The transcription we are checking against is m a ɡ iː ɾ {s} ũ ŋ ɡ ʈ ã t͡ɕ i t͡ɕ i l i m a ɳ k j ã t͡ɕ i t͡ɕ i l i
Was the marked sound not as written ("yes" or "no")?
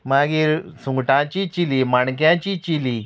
no